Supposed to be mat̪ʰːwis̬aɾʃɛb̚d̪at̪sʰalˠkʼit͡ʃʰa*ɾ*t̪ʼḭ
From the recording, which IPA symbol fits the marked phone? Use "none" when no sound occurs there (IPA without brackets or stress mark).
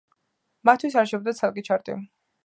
ɾ